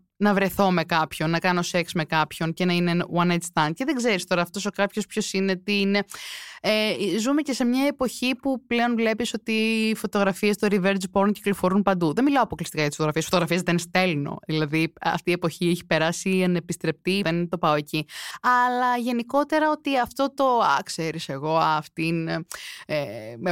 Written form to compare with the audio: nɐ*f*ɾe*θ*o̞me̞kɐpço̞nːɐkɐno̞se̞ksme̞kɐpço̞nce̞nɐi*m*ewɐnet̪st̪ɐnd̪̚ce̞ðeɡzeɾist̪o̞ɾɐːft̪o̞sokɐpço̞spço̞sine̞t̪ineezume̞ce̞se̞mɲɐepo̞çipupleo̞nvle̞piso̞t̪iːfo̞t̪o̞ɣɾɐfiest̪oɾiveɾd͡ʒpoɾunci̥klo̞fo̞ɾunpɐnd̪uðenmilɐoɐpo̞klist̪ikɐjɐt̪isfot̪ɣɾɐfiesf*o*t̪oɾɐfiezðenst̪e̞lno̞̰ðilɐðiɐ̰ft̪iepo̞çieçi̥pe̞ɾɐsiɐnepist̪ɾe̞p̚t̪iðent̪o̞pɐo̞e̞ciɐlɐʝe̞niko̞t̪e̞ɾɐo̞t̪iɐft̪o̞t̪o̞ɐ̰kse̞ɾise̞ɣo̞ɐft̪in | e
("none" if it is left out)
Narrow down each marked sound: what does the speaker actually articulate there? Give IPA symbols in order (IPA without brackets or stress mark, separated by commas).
v, θ, n, o